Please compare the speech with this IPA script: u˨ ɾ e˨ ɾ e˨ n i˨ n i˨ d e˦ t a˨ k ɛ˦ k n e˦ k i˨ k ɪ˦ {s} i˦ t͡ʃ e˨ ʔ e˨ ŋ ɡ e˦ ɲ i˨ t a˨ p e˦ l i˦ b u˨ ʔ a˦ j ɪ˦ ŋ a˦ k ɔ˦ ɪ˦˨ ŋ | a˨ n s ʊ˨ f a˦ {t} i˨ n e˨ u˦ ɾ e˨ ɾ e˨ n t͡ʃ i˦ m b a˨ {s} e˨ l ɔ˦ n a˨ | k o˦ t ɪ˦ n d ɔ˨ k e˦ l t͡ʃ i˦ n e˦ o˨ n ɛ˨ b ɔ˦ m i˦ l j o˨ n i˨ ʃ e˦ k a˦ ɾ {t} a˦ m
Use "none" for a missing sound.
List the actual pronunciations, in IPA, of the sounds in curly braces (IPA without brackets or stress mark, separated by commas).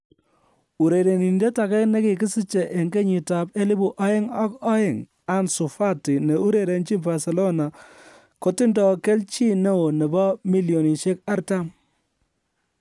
s, t, s, t